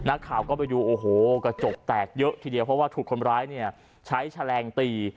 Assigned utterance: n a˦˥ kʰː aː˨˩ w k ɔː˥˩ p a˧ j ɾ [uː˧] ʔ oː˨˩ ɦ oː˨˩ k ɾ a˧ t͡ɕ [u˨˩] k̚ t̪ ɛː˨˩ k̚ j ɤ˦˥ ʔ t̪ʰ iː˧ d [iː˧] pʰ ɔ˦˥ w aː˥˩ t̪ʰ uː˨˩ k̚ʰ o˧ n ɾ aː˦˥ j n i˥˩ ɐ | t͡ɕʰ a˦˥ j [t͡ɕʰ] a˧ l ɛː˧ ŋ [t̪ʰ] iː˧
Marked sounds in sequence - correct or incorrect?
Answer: correct, incorrect: o˨˩, incorrect: i˧, correct, incorrect: t̪

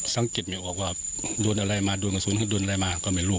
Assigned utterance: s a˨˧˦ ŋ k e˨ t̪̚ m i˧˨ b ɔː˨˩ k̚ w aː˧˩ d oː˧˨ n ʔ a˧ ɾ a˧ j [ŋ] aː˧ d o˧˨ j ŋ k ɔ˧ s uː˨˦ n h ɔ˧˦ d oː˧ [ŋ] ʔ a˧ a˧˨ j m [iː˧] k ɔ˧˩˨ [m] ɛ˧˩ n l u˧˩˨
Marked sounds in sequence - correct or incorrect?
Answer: incorrect: m, incorrect: n, incorrect: aː˧, correct

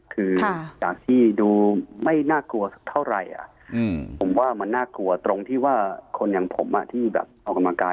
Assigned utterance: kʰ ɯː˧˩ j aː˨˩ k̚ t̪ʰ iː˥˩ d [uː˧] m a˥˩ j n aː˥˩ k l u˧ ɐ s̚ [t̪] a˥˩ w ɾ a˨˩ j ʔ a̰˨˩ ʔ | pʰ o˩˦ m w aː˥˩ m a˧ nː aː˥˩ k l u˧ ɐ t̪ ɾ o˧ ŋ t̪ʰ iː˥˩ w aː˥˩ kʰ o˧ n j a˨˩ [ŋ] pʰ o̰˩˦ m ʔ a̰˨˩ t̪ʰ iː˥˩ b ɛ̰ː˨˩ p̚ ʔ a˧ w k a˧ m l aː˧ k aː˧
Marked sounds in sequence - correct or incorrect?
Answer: correct, incorrect: t̪ʰ, correct

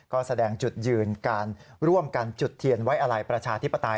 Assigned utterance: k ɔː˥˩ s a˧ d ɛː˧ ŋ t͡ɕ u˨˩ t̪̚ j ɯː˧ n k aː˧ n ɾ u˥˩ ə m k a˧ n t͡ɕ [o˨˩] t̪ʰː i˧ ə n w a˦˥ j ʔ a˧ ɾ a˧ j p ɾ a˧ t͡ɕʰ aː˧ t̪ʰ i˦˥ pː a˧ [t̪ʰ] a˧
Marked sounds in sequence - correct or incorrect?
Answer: incorrect: u˨˩, incorrect: t̪

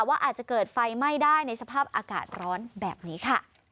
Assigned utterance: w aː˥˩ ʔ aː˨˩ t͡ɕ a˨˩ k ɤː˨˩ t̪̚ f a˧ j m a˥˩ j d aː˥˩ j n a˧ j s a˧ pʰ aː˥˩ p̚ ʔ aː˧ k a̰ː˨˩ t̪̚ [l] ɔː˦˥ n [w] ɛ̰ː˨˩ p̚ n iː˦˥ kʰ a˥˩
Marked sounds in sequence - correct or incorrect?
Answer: incorrect: ɾ, incorrect: b

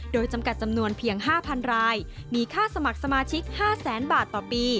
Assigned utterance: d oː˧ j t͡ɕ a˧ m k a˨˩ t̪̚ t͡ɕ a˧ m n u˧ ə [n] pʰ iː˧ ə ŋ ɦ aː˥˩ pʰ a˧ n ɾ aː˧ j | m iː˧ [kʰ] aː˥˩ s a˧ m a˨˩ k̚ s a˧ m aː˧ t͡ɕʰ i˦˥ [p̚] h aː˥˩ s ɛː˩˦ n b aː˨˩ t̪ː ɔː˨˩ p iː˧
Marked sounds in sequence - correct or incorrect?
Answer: correct, correct, incorrect: k̚

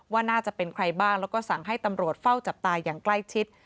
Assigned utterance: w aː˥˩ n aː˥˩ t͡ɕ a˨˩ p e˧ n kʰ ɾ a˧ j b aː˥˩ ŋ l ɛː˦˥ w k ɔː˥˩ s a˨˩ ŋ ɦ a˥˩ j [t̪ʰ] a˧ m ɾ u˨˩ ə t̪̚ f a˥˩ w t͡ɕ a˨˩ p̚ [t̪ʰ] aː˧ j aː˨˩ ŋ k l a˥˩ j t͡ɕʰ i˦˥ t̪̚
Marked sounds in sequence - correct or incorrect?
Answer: incorrect: t̪, incorrect: t̪

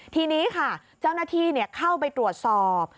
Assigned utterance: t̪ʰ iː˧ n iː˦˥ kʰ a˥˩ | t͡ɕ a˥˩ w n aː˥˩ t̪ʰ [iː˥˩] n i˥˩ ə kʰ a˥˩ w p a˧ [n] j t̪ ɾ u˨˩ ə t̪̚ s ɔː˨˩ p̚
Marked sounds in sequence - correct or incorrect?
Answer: incorrect: iː˧, incorrect: none

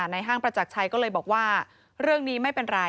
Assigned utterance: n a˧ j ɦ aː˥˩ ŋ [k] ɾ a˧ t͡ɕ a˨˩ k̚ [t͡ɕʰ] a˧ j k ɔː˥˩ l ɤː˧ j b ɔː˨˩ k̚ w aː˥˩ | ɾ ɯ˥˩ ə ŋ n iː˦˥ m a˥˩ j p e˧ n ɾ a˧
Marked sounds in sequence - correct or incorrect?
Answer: incorrect: p, correct

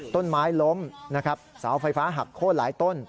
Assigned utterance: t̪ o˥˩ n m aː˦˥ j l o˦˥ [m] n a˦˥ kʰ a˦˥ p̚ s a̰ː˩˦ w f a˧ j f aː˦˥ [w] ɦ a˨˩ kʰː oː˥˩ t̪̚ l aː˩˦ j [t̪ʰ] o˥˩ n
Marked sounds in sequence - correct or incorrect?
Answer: correct, incorrect: none, incorrect: t̪

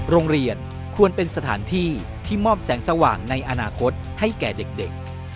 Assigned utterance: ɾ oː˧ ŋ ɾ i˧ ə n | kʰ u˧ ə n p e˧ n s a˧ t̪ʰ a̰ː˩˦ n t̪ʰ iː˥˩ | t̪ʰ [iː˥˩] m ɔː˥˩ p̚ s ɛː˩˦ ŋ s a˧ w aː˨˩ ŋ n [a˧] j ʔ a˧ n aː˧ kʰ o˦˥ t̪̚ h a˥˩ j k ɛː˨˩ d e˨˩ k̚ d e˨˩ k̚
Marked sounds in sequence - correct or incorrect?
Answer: correct, correct

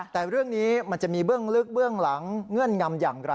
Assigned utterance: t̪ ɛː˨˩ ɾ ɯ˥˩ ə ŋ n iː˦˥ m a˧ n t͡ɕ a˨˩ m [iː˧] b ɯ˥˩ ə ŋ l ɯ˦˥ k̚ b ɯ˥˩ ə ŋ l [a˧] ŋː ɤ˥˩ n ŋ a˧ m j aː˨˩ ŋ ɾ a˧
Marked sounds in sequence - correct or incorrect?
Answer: correct, incorrect: a˩˦

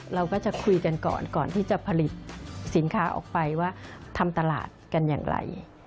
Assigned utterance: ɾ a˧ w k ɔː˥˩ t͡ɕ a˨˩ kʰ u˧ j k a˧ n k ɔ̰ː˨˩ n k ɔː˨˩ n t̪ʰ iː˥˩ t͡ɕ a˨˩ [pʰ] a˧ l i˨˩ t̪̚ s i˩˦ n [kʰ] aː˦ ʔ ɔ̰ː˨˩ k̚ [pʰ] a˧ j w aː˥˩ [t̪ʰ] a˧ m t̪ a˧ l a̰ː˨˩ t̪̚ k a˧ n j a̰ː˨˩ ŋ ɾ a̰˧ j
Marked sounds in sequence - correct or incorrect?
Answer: correct, correct, incorrect: p, correct

